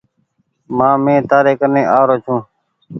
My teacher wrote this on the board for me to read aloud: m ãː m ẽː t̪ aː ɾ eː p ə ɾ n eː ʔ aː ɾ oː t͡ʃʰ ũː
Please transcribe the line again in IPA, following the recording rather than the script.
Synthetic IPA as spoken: m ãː m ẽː t̪ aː ɾ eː k ə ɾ n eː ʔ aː ɾ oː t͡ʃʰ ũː